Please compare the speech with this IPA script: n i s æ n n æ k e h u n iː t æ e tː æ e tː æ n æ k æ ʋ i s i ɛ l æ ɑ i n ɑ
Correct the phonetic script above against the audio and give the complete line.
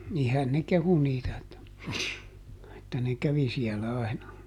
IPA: n i h æ n n e k e h u n iː t æ e tː æ e tː æ n e k æ ʋ i s i ɛ l æ ɑ i n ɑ